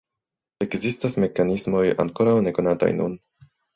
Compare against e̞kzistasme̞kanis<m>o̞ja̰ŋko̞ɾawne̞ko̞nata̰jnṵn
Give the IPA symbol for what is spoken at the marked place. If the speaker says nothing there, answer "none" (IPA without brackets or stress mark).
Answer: m